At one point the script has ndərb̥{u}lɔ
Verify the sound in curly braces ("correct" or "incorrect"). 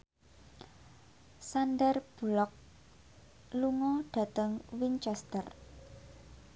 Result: correct